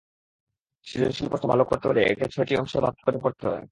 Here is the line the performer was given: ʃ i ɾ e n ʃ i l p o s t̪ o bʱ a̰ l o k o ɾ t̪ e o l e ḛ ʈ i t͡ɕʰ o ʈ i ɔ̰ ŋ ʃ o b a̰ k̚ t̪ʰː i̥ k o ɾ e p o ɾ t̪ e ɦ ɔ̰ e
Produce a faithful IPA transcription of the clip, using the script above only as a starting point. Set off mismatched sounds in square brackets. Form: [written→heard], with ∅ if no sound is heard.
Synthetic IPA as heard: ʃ i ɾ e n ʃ i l p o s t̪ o bʱ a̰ l o k o ɾ t̪ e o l e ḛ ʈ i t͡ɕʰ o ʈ i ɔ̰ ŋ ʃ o b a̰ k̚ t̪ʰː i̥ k o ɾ e p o ɾ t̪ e ɦ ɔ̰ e